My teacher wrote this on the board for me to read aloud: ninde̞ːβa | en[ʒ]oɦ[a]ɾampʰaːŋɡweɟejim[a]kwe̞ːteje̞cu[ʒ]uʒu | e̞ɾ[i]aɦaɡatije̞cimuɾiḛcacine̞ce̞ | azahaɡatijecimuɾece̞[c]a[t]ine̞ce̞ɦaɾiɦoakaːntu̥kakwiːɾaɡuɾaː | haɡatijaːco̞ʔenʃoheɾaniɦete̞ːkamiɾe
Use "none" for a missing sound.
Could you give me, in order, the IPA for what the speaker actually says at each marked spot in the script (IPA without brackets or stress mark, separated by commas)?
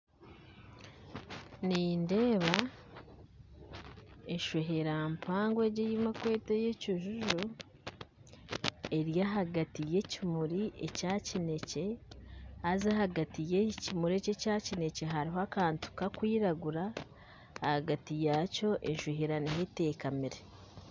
ʃ, e, a, ʒ, j, c, c